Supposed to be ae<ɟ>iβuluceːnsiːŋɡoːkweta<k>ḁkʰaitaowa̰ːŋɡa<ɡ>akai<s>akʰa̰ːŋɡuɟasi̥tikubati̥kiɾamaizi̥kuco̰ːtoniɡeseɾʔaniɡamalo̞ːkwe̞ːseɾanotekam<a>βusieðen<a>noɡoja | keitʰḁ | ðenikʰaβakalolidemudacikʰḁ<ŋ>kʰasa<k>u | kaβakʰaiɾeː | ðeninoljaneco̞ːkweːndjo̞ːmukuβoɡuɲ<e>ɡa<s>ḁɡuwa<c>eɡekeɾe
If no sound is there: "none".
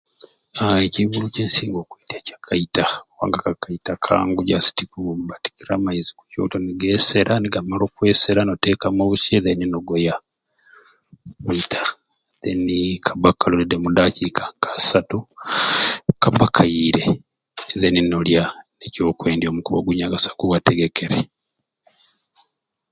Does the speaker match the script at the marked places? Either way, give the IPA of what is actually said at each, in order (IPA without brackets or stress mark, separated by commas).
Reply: c, c, k, t, a, i, ŋ, t, a, s, t